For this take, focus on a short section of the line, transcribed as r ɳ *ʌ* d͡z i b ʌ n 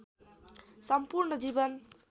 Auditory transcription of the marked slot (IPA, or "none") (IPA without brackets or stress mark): ʌ